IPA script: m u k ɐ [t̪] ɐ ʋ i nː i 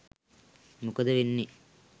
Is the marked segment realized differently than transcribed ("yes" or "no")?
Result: yes